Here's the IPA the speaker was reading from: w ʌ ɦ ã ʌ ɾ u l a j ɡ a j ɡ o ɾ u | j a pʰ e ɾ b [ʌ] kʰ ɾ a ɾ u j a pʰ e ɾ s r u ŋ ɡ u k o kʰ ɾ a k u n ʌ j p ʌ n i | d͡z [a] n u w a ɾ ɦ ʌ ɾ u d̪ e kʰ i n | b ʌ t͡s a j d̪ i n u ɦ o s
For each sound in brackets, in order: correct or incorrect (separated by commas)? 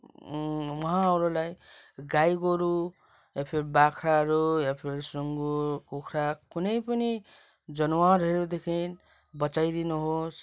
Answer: incorrect, incorrect